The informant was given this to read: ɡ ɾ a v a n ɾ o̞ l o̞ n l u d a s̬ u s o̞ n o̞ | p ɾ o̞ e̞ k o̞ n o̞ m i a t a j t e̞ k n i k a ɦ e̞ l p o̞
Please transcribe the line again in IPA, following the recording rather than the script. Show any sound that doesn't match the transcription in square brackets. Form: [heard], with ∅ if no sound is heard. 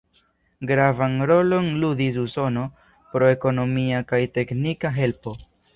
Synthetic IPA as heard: ɡ ɾ a v a n ɾ o̞ l o̞ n l u d [i] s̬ u s o̞ n o̞ | p ɾ o̞ e̞ k o̞ n o̞ m i a [k] a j t e̞ k n i k a ɦ e̞ l p o̞